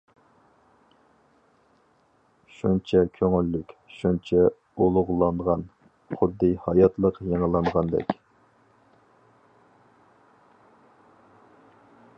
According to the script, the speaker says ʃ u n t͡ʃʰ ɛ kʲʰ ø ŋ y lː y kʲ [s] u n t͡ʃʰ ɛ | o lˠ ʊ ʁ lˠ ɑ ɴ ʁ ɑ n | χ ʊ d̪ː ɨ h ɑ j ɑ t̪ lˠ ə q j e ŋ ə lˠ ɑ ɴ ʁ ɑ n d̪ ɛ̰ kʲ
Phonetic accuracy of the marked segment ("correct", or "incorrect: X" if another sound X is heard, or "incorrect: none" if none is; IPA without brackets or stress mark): incorrect: ʃ